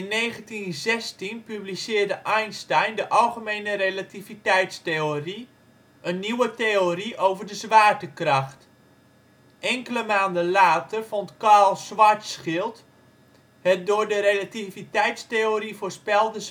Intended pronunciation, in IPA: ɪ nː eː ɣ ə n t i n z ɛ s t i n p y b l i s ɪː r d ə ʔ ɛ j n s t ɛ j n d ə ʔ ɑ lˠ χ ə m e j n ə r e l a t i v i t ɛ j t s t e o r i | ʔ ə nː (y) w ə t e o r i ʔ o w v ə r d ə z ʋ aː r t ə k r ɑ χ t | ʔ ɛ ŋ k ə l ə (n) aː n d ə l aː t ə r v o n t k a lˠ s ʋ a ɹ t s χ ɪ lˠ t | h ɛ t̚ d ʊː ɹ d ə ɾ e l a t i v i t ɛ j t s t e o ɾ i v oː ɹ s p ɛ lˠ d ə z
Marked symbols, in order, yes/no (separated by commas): no, no